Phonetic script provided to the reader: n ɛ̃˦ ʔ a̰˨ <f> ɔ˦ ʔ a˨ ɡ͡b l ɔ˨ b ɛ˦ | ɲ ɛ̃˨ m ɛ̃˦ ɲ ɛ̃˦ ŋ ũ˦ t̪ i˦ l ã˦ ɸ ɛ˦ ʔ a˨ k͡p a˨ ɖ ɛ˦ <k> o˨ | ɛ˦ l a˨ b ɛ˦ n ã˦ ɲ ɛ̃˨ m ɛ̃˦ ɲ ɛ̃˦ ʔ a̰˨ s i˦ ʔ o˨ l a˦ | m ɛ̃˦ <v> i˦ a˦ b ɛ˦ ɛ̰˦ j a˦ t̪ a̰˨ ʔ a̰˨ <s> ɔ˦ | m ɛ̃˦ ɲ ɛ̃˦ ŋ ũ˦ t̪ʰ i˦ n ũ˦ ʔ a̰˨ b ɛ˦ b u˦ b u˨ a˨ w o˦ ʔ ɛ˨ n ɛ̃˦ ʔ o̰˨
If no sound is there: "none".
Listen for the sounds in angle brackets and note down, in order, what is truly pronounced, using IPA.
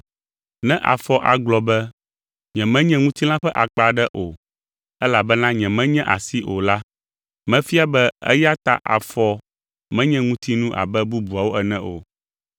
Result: f, ʔ, f, f

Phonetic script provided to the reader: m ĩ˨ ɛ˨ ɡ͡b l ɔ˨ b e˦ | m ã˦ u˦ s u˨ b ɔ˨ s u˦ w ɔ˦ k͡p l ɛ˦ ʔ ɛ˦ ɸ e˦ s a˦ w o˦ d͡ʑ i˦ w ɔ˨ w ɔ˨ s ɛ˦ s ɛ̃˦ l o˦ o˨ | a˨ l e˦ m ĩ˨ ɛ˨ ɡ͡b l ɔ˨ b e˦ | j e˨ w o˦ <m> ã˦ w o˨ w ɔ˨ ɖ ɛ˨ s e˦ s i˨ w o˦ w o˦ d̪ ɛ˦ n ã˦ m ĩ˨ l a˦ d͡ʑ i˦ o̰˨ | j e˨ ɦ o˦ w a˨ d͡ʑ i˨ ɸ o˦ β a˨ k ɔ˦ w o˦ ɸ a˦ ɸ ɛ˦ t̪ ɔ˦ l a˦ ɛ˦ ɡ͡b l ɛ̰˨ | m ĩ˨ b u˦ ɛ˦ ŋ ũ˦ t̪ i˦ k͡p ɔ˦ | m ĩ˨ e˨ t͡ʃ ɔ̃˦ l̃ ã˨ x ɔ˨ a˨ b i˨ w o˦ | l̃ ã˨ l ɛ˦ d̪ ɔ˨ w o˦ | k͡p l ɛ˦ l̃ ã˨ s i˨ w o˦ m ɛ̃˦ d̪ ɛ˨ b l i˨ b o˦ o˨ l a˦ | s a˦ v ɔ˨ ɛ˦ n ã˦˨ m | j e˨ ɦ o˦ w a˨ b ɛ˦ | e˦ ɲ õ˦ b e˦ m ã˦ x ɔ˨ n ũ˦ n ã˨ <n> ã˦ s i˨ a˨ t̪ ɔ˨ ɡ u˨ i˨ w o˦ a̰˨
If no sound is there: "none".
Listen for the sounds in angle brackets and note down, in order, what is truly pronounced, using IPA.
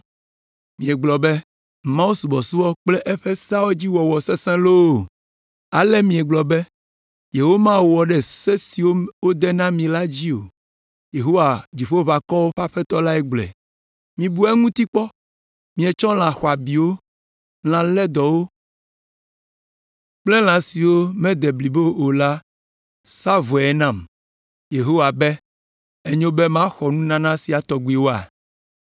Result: m, n

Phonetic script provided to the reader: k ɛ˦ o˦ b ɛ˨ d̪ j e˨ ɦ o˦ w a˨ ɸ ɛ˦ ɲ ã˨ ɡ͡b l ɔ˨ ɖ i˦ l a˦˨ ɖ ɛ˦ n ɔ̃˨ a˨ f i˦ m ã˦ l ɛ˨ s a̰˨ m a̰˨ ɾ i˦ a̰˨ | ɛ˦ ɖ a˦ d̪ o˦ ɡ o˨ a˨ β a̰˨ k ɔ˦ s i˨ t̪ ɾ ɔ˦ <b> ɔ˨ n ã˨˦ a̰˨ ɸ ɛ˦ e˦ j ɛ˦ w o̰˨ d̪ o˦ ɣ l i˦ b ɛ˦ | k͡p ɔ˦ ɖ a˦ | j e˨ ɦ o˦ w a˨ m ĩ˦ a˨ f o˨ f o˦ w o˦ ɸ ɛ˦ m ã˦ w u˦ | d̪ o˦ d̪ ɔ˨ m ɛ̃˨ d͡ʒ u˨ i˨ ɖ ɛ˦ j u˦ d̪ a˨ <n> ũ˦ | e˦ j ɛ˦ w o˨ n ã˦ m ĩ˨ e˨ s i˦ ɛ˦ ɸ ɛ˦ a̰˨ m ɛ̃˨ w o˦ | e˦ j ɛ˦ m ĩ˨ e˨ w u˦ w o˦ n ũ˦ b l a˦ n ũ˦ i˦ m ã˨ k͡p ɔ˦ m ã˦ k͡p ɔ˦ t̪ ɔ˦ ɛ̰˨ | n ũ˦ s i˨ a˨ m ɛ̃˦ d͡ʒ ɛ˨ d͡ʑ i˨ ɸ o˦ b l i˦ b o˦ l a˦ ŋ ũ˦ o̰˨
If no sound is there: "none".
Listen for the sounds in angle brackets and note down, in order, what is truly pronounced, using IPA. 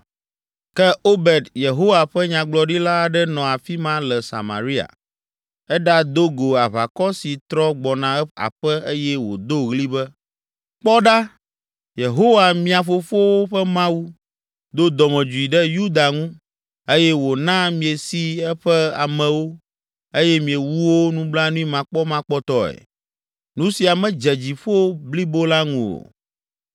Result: ɡ͡b, ŋ

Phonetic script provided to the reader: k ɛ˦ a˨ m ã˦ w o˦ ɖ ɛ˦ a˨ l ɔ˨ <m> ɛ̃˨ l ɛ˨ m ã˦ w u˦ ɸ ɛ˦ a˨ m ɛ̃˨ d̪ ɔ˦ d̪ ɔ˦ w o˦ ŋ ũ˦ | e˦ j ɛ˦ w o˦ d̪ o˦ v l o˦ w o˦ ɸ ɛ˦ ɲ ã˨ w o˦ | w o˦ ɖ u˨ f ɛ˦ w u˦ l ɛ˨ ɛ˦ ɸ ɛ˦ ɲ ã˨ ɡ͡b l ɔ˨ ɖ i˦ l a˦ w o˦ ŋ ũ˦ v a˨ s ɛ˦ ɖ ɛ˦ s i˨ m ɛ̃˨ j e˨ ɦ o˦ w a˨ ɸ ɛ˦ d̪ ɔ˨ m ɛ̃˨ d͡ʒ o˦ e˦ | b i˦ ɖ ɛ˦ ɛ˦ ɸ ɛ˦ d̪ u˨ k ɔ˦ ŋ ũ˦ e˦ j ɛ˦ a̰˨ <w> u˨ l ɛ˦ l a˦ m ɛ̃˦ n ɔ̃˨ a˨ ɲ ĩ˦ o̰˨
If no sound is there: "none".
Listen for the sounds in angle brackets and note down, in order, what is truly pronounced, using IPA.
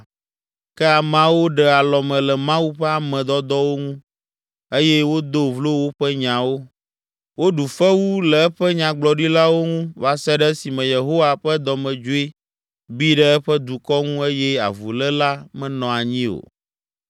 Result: m, v

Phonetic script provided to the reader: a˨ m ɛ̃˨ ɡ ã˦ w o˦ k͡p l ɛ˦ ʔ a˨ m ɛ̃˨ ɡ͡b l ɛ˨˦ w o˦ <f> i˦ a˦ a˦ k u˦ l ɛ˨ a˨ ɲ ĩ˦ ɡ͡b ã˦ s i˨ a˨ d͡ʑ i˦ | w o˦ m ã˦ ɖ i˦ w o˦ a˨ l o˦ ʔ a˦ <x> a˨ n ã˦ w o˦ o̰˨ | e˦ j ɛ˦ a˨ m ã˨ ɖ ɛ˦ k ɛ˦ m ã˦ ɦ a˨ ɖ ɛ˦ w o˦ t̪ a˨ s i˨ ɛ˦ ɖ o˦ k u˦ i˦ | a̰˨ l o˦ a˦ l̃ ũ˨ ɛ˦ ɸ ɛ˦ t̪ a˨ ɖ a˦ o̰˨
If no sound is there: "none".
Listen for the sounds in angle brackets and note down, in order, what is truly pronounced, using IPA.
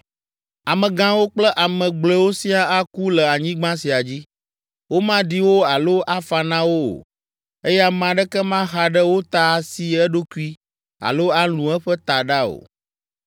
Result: s, f

